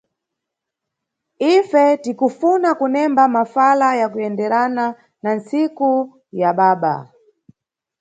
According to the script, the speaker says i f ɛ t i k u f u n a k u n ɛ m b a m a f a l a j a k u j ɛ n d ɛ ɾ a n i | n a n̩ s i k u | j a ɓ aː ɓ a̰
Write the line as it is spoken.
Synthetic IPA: i f ɛ t i k u f u n a k u n ɛ m b a m a f a l a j a k u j ɛ n d ɛ ɾ a n a | n a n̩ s i k u | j a ɓ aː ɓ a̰

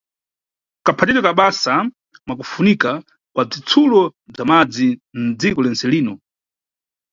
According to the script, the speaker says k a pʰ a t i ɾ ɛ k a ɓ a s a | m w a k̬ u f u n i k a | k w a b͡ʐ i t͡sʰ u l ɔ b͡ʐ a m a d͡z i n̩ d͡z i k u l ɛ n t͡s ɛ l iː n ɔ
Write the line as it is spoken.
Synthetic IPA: k a pʰ a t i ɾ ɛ k a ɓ a s a | m w a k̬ u f u n i k a | k w a b͡ʐ i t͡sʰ u l ɔ b͡ʐ a m a d͡z i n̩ d͡z i k ɔ l ɛ n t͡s ɛ l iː n ɔ

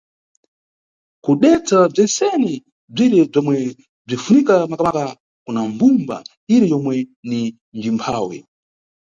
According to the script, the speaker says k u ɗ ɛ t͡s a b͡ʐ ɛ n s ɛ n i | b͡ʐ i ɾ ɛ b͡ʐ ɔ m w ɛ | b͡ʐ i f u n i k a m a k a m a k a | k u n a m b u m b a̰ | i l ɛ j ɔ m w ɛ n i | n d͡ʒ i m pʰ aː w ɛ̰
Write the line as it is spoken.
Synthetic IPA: k u ɗ ɛ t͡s a b͡ʐ ɛ n s ɛ n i | b͡ʐ i ɾ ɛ b͡ʐ ɔ m w ɛ | b͡ʐ i f u n i k a m a k a m a k a | k u n a m b u m b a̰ | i ɾ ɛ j ɔ m w ɛ n i | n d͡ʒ i m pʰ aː w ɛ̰

